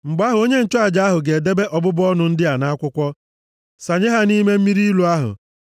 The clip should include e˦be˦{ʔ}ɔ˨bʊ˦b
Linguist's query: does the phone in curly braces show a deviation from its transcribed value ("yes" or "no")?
no